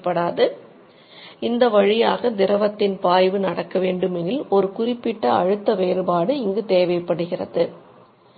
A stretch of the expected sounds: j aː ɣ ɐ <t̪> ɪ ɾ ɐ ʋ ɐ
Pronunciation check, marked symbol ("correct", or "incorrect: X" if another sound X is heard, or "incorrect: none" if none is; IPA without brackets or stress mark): incorrect: d̪